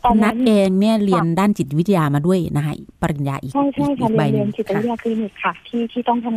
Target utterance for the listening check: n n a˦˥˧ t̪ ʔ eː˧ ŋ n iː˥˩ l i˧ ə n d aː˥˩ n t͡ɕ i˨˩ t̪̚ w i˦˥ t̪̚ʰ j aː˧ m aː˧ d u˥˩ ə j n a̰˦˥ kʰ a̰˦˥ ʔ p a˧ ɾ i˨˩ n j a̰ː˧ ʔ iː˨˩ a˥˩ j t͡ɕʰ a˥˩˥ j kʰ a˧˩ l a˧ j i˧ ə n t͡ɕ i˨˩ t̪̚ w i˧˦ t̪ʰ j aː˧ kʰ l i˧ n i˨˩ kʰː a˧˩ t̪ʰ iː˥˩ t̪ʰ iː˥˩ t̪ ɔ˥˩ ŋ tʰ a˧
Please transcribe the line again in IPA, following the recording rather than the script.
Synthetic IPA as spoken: n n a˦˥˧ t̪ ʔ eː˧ ŋ n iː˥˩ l i˧ ə n d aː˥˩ n t͡ɕ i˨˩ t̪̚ w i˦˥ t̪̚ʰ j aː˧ m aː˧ d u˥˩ ə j n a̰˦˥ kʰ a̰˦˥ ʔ p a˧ ɾ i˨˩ n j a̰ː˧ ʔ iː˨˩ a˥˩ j t͡ɕʰ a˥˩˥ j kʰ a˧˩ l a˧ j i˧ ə n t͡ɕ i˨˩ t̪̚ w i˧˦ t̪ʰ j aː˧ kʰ l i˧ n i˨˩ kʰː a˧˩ t̪ʰ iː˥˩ t̪ʰ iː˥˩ t̪ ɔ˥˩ ŋ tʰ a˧